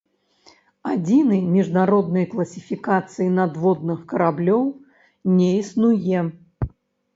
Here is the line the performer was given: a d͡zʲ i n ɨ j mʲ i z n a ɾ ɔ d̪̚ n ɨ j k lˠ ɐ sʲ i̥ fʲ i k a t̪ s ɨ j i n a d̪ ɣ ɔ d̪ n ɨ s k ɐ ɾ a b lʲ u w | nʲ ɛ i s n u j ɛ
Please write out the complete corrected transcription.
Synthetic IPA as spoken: a d͡zʲ i n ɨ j mʲ i ʐ n a ɾ ɔ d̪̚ n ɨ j k lˠ ɐ sʲ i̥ fʲ i k a t̪ s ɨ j i n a d̪ v ɔ d̪ n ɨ x k ɐ ɾ a b lʲ ɔ w | nʲ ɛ i s n u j ɛ